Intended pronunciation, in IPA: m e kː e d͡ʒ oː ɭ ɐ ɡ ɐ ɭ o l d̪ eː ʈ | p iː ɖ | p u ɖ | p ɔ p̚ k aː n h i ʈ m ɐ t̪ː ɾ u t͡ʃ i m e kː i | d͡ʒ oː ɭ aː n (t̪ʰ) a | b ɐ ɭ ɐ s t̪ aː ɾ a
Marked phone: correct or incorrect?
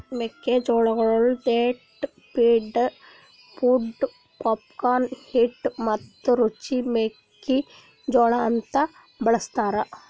incorrect